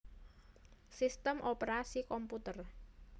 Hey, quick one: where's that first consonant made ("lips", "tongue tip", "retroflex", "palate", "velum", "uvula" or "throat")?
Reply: tongue tip